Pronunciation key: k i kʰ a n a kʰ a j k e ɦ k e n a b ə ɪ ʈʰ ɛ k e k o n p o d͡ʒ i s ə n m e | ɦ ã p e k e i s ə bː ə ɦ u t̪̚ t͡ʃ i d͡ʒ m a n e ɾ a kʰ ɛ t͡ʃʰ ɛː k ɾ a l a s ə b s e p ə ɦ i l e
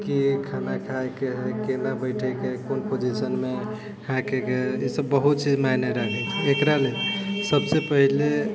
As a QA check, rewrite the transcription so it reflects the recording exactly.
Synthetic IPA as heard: k i kʰ a n a kʰ a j k e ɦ k e n a b ə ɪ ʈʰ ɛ k e k o n p o d͡ʒ i s ə n m e | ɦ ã k e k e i s ə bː ə ɦ u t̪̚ t͡ʃ i d͡ʒ m a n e ɾ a kʰ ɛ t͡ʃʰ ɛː k ɾ a l e s ə b s e p ə ɦ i l e